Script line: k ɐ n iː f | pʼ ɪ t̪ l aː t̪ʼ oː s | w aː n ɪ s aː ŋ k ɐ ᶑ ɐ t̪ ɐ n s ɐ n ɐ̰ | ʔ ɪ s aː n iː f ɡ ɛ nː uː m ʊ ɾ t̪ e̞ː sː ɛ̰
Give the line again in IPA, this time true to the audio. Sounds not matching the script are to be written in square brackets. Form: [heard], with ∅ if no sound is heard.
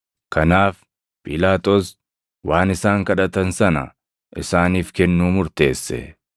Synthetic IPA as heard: k ɐ n [aː] f | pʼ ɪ [∅] l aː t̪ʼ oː s | w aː n ɪ s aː ŋ k ɐ ᶑ ɐ t̪ ɐ n s ɐ n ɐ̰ | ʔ ɪ s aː n iː f [k] ɛ nː uː m ʊ ɾ t̪ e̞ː sː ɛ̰